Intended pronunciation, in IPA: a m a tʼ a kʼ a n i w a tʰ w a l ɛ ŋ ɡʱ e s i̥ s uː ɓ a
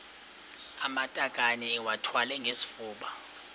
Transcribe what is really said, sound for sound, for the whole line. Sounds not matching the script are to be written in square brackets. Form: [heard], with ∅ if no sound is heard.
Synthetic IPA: a m a tʼ a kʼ a n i w a tʰ w a l ɛ ŋ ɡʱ e s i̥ [f] uː ɓ a